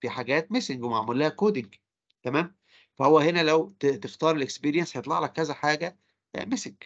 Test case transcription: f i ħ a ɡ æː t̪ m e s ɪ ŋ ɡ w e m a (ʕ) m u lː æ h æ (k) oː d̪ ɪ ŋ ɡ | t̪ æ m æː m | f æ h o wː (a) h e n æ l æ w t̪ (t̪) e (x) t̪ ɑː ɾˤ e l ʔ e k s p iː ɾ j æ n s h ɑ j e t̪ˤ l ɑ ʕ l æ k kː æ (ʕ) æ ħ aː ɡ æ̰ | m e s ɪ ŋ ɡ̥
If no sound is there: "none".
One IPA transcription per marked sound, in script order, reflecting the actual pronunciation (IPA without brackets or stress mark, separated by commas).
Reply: ʕ, k, æ, t̪, f, z